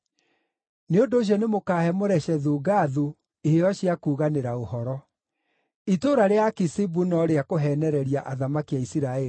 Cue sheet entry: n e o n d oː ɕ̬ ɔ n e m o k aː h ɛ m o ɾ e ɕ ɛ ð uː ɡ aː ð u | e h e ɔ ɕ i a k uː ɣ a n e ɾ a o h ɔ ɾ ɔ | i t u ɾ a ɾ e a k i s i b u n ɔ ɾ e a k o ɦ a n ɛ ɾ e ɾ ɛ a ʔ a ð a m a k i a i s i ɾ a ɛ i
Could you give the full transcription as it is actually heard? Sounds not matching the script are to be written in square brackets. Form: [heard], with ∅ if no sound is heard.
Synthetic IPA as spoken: n e o n d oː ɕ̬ ɔ n e m o k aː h ɛ m o ɾ [ɛ] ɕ ɛ ð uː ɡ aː ð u | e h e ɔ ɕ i a k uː ɣ a n e ɾ a o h ɔ ɾ ɔ | i t [o] ɾ a ɾ e a k i s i b u n ɔ ɾ e a k o ɦ [ɛ] n ɛ ɾ [ɛ] ɾ [i] a ʔ a ð a m a k i a i s i ɾ a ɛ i